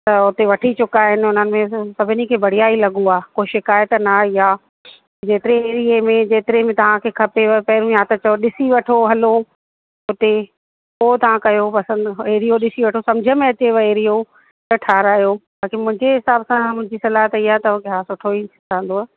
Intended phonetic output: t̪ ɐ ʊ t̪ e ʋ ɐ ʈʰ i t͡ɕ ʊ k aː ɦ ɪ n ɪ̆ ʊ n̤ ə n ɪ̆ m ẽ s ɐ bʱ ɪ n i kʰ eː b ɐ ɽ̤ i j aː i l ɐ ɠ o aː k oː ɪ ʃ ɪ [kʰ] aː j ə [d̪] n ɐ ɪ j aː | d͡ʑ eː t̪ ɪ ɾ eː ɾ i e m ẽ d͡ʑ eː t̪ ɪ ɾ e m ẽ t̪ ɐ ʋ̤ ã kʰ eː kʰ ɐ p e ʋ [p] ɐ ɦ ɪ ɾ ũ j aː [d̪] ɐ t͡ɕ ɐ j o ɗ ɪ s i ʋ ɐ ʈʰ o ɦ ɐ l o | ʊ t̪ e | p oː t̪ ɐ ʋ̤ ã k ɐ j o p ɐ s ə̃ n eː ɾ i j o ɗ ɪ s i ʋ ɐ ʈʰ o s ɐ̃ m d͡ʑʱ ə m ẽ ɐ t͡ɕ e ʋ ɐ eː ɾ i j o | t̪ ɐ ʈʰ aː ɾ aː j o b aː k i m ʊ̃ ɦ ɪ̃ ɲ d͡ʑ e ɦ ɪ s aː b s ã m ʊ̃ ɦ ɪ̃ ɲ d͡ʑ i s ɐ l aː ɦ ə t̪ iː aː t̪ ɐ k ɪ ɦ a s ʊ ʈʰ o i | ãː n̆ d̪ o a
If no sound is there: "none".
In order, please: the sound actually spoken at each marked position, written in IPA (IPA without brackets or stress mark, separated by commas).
k, t̪, p, t̪